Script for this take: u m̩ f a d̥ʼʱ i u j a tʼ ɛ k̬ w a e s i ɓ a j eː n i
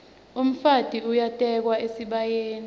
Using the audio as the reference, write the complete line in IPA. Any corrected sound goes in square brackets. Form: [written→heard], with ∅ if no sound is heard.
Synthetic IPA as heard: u m̩ f a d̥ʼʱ i u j a tʼ ɛ k̬ w a e s i ɓ a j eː n i